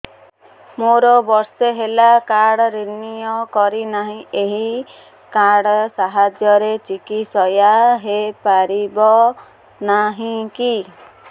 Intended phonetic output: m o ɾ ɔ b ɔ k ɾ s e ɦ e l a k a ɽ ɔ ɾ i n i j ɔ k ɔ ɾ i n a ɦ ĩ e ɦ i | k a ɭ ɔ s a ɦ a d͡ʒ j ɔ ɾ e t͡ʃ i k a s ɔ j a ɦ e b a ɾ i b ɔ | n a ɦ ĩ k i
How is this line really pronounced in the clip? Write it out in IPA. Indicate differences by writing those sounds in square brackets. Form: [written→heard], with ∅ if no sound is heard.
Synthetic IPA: m o ɾ ɔ b ɔ [k→∅] ɾ s e ɦ e l a k a ɽ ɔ ɾ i n i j ɔ k ɔ ɾ i n a ɦ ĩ e ɦ i | k a [ɭ→ɽ] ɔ s a ɦ a d͡ʒ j ɔ ɾ e t͡ʃ i k [a→i] s ɔ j a ɦ e [b→p] a ɾ i b ɔ | n a ɦ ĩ k i